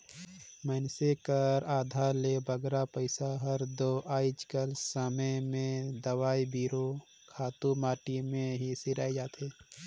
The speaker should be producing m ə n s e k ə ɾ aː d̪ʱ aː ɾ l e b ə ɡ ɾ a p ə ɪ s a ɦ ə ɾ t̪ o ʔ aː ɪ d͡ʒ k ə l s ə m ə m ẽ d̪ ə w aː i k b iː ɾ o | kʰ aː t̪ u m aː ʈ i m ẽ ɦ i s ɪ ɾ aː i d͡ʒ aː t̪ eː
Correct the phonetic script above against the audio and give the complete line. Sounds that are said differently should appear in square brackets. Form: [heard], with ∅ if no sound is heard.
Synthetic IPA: m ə n s e k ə ɾ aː d̪ʱ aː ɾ l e b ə ɡ ɾ a p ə ɪ s a ɦ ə ɾ [d̪] o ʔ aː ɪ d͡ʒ k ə l s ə m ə m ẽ d̪ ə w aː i [∅] b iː ɾ o | kʰ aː t̪ u m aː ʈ i m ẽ ɦ i s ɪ ɾ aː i d͡ʒ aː t̪ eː